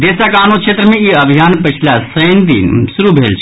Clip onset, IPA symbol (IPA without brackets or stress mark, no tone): d̪